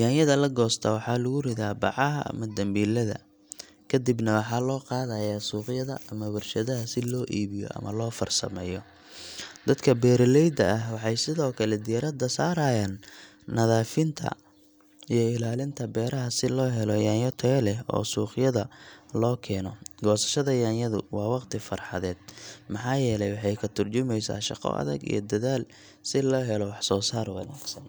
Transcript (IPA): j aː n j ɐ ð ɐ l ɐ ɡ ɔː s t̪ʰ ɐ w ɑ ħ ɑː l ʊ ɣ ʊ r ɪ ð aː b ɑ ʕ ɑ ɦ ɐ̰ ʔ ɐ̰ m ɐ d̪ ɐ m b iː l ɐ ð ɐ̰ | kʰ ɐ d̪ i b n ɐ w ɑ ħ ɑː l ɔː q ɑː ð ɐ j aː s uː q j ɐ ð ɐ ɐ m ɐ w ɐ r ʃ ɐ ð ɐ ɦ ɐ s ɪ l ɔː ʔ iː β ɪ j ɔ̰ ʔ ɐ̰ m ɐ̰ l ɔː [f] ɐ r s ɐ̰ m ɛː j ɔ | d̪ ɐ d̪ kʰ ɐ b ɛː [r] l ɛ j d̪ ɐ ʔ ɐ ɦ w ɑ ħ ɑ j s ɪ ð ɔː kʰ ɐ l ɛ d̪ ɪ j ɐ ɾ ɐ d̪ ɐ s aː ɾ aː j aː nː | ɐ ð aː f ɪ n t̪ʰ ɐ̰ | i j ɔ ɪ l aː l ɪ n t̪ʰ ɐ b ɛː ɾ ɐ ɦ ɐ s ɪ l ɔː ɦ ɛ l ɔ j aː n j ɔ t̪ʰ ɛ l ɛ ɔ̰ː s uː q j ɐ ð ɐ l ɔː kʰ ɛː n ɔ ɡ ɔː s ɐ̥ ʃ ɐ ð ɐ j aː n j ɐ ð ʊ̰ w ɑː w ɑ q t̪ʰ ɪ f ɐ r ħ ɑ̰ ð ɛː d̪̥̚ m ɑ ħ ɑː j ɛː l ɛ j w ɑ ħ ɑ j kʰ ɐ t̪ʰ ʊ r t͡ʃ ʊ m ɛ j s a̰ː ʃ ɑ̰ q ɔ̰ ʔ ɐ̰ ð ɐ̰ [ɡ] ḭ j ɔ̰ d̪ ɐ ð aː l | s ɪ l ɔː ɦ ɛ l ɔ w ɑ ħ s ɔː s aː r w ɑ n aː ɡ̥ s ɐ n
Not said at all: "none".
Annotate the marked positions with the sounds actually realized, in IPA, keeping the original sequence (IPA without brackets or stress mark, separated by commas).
f, ɾ, ɡ